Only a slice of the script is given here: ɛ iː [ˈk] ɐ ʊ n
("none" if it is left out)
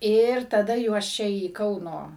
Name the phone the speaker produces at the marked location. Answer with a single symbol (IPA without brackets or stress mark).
k